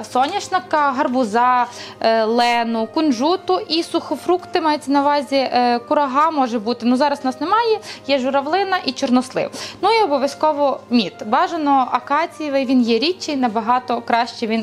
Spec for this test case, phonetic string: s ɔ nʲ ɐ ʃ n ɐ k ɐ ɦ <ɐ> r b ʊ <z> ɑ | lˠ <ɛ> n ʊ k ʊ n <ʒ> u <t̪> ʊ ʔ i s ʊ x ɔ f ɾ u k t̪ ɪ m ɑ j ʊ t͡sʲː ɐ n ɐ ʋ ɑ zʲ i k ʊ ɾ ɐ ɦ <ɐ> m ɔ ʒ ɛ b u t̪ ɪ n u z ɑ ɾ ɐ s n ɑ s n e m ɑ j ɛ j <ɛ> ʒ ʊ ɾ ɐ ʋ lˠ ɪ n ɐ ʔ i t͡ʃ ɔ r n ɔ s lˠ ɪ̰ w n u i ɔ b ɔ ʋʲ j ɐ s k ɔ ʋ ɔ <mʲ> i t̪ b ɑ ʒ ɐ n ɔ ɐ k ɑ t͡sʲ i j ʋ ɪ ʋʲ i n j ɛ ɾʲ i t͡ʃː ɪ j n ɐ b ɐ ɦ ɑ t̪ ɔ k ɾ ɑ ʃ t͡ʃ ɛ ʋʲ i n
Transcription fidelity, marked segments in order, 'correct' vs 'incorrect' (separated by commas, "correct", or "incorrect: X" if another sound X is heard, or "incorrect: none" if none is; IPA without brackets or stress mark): correct, correct, correct, correct, correct, incorrect: ɑ, correct, correct